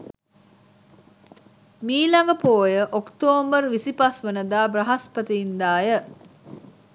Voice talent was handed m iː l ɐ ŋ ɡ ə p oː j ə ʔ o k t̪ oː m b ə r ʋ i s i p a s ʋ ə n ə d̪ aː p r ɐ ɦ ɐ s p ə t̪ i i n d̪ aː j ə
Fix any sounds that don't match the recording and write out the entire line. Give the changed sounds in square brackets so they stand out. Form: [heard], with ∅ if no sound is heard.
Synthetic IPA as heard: m iː l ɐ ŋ ɡ ə p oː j ə ʔ o k t̪ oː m b ə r ʋ i s i p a s ʋ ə n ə d̪ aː [b] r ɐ ɦ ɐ s p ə t̪ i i n d̪ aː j ə